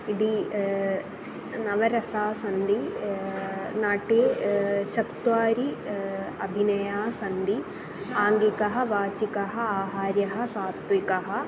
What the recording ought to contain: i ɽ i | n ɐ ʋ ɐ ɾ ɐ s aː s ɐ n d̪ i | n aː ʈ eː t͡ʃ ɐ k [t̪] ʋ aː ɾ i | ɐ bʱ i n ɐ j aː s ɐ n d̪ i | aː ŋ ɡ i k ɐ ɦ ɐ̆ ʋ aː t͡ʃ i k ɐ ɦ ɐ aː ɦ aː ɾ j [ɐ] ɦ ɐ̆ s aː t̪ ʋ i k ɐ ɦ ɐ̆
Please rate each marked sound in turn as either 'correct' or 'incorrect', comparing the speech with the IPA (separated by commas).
correct, correct